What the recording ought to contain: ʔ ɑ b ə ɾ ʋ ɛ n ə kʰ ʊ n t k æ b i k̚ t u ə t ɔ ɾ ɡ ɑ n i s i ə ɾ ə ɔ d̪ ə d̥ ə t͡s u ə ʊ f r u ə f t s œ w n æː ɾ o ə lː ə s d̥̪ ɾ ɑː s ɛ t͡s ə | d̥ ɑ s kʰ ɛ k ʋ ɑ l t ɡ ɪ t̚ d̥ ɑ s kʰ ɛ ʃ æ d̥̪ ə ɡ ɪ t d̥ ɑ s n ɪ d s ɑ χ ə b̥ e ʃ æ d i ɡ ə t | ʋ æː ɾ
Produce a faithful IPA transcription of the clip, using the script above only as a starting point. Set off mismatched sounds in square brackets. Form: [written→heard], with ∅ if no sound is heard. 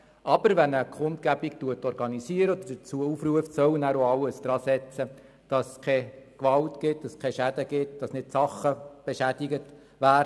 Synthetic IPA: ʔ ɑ b ə ɾ ʋ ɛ n ə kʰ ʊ n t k æ b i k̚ t u ə t ɔ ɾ ɡ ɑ n i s i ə ɾ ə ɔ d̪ ə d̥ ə t͡s u ə [ʊ→u] f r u ə f t s œ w n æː ɾ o [ə→ɑ] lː ə s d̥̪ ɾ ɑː s ɛ t͡s ə | d̥ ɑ s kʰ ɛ k ʋ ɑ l t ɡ ɪ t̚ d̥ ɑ s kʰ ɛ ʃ æ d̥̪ ə ɡ ɪ t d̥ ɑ s n ɪ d s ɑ χ ə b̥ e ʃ æ d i ɡ ə t | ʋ æː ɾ